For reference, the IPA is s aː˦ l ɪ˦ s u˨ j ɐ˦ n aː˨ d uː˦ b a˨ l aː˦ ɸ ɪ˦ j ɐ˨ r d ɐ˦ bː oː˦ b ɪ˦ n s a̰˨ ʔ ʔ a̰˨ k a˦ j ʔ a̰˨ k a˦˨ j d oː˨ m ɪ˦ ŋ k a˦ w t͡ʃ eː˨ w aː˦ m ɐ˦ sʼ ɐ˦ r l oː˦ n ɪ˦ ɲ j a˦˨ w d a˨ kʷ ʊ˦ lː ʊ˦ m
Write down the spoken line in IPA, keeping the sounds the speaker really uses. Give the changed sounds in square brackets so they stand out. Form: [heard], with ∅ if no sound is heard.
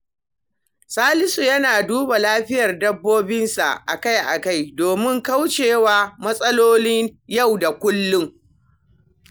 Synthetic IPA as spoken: s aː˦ l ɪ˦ s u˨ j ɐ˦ n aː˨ d uː˦ b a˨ l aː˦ ɸ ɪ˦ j ɐ˨ r d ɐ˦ bː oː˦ b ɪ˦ n s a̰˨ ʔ ʔ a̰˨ k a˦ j ʔ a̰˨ k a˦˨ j d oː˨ m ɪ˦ ŋ k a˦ w t͡ʃ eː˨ w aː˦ m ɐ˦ sʼ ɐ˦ [∅] l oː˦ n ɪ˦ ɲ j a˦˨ w d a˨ kʷ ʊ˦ lː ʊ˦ [ŋ]

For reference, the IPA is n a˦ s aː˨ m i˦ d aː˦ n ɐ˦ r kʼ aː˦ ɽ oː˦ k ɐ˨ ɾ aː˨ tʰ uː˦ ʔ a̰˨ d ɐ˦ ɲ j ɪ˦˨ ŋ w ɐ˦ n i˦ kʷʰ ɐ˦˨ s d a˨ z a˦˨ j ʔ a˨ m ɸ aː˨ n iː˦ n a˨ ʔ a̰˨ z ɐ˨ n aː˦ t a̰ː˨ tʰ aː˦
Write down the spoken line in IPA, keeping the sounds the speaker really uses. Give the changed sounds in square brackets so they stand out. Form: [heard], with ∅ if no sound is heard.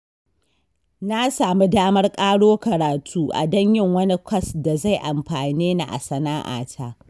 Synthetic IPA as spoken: n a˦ s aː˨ m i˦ d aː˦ [m] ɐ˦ r kʼ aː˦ ɽ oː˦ k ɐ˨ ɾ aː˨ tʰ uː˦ ʔ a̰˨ d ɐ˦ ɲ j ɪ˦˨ ŋ w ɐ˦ n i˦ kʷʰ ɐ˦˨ s d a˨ z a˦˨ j ʔ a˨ m ɸ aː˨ n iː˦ n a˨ ʔ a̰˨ [s] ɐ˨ n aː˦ [ʔ] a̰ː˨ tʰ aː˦

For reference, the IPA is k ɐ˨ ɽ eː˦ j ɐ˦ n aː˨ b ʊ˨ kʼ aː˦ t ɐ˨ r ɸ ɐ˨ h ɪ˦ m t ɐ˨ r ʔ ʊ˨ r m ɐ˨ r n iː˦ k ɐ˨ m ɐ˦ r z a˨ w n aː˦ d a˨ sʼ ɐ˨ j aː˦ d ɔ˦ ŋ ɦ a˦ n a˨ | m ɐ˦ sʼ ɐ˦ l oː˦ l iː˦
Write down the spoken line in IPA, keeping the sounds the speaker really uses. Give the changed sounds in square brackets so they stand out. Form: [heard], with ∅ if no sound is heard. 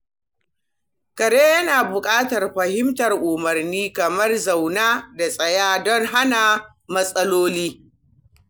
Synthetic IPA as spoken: k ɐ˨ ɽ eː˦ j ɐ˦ n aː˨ b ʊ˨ kʼ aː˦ t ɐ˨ r ɸ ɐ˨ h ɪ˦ m t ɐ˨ r ʔ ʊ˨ [∅] m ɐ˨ r n iː˦ k ɐ˨ m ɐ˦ r z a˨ w n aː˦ d a˨ sʼ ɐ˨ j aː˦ d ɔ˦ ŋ ɦ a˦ n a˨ | m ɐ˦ sʼ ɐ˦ l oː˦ l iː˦

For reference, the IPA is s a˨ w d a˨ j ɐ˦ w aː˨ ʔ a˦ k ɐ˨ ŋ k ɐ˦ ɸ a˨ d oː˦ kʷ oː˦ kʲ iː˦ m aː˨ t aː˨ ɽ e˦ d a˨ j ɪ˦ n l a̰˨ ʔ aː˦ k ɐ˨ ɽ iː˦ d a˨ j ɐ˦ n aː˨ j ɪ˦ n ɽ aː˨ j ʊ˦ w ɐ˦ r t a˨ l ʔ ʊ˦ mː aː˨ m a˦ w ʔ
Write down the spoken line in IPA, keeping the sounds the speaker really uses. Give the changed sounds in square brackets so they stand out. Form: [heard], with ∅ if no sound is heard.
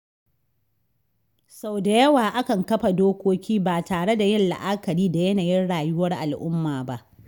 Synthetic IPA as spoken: s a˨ w d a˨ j ɐ˦ w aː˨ ʔ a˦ k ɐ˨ ŋ k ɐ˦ ɸ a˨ d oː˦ kʷ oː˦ kʲ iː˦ [b] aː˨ t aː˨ ɽ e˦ d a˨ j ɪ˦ n l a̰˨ ʔ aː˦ k ɐ˨ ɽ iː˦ d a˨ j ɐ˦ n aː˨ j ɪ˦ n ɽ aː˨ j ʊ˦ w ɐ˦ r [ʔ] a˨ l ʔ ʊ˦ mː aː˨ [b] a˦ [∅] ʔ

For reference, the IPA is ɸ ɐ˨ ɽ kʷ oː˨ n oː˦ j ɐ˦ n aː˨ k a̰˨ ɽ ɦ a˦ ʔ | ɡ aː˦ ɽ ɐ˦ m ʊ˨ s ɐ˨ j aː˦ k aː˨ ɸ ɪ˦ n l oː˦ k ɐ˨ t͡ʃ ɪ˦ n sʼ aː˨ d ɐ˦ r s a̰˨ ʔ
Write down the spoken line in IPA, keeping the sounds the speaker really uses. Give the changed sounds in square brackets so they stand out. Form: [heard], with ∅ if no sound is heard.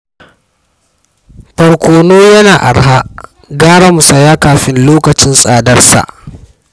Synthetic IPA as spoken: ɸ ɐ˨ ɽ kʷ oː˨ n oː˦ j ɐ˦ n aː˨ [ʔ] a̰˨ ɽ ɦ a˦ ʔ | ɡ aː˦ ɽ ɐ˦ m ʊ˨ s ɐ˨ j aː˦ k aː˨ ɸ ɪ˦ n l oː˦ k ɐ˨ t͡ʃ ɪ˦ n sʼ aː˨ d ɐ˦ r s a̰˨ ʔ

